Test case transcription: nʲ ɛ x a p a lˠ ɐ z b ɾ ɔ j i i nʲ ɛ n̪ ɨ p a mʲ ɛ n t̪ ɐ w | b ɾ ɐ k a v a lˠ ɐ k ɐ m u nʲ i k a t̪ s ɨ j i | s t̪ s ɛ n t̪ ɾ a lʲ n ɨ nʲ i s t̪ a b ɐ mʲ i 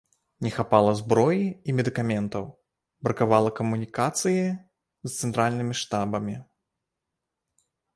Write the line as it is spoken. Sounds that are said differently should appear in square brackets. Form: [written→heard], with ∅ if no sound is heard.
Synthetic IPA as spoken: nʲ ɛ x a p a lˠ ɐ z b ɾ ɔ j i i [nʲ→mʲ] ɛ [n̪→d̪] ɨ [p→k] a mʲ ɛ n t̪ ɐ w | b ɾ ɐ k a v a lˠ ɐ k ɐ m u nʲ i k a t̪ s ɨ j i | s t̪ s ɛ n t̪ ɾ a lʲ n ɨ [nʲ→mʲ] i [s→ʂ] t̪ a b ɐ mʲ i